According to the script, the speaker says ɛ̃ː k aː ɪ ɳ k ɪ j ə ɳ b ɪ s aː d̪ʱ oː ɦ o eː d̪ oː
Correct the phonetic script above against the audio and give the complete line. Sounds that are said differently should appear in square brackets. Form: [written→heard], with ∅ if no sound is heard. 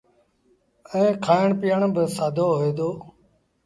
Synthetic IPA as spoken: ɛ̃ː [k→kʰ] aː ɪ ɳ [k→p] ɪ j ə ɳ b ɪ s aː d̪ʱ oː ɦ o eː d̪ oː